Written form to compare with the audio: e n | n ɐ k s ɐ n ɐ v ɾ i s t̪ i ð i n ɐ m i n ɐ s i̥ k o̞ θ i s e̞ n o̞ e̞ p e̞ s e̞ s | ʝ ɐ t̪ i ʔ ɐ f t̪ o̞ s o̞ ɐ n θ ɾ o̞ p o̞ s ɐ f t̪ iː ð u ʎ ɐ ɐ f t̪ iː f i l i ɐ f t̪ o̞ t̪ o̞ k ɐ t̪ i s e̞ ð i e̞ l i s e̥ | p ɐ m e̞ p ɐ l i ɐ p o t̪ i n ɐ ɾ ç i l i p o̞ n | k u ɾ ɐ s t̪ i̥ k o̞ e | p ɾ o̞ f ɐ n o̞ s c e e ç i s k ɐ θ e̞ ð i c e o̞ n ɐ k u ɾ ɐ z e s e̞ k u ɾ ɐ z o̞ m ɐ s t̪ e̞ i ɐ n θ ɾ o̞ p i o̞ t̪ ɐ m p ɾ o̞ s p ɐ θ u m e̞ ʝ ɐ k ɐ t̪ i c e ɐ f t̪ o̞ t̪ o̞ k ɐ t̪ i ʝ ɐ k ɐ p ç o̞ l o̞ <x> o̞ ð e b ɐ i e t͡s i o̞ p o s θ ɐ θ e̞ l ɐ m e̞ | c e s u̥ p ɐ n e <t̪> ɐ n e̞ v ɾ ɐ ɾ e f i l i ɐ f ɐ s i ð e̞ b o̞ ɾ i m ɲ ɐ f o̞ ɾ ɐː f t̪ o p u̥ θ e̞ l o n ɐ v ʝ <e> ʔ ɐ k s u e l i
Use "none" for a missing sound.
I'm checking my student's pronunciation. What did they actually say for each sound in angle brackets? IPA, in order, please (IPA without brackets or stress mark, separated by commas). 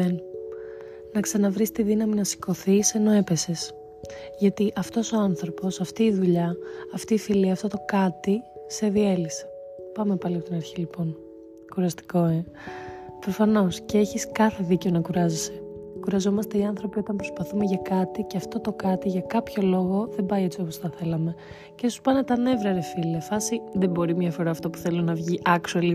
ɣ, t̪, i